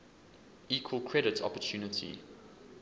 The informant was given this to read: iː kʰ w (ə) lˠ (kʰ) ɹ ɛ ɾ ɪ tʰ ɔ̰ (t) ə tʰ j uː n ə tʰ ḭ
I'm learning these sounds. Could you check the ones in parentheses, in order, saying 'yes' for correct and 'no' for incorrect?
yes, yes, no

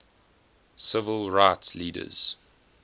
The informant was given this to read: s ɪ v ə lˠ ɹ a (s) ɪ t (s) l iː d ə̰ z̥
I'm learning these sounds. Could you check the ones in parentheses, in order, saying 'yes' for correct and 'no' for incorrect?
no, yes

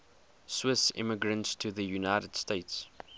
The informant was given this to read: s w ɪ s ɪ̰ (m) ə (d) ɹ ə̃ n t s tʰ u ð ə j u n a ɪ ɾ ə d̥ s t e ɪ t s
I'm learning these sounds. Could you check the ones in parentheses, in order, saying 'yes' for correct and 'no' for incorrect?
yes, no

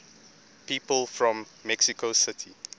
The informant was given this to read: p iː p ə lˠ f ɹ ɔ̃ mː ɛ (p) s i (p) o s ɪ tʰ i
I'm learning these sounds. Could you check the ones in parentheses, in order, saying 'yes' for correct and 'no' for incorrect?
no, no

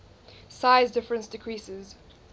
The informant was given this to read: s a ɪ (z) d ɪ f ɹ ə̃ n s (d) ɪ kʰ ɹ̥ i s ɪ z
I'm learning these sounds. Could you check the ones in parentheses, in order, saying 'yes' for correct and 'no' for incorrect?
yes, yes

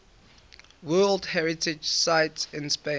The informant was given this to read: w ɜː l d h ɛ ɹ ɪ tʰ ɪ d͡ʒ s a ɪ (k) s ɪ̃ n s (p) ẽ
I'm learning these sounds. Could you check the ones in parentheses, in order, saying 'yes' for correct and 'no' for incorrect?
no, yes

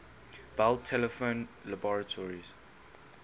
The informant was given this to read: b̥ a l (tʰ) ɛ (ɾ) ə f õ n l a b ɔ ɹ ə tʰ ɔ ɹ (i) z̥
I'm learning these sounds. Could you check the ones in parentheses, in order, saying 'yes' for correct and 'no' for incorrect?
yes, no, yes

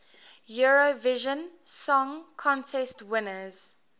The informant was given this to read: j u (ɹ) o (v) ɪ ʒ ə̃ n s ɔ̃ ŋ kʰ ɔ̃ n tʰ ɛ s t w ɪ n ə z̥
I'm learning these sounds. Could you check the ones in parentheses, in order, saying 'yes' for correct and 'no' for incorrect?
yes, yes

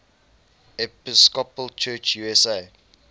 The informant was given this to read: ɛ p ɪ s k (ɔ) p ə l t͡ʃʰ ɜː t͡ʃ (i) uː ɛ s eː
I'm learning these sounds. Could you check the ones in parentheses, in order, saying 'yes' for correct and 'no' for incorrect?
yes, no

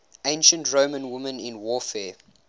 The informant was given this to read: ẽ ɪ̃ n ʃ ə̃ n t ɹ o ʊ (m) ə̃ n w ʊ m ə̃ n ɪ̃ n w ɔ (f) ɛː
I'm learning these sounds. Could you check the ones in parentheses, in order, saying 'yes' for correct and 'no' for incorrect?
yes, yes

